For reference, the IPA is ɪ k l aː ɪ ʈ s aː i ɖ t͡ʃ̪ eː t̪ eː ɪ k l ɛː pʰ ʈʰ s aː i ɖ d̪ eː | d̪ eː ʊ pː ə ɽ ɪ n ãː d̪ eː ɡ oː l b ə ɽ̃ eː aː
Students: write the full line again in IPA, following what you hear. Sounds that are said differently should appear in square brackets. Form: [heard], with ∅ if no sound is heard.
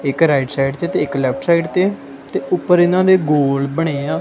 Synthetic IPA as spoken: ɪ k [ɾ] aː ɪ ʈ s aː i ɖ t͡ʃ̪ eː t̪ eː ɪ k l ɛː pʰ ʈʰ s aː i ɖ [t̪] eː | [t̪] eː ʊ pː ə [ɾ] ɪ n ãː d̪ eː ɡ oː l b ə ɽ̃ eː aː